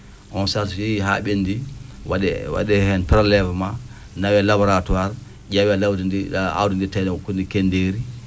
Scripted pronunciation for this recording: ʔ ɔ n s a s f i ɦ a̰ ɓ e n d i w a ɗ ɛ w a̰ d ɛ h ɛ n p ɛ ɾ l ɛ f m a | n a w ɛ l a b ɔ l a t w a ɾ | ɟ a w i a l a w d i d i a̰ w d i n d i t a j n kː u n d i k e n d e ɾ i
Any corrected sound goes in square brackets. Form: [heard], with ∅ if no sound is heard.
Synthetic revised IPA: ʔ ɔ n s a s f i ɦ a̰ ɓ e n d i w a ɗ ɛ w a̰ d ɛ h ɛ n p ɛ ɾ l ɛ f m a | n a w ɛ l a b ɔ [ɾ] a t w a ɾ | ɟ a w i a l a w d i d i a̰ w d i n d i t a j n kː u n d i k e n d e ɾ i